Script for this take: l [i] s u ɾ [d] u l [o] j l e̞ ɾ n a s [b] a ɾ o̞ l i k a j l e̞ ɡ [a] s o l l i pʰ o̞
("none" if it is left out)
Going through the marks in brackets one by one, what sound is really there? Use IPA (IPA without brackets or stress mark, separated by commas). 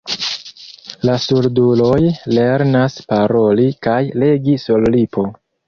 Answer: a, d, o, p, i